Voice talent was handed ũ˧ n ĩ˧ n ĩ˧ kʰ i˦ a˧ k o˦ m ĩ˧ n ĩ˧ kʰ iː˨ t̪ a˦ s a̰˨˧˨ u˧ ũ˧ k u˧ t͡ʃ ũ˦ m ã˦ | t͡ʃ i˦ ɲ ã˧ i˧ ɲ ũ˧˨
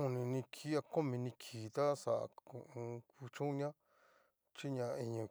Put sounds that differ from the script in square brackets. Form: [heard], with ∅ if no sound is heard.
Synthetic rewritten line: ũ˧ n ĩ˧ n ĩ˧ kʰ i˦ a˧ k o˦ m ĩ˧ n ĩ˧ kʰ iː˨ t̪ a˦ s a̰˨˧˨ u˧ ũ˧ k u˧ t͡ʃ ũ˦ [ɲ] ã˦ | t͡ʃ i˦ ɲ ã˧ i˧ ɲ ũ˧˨